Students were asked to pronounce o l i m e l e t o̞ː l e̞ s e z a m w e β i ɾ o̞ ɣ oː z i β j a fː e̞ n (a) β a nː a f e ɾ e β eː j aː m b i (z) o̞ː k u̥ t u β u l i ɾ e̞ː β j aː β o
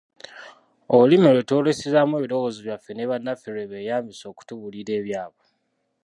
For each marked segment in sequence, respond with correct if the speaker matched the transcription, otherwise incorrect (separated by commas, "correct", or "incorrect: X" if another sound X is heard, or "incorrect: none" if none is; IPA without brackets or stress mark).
incorrect: e, incorrect: s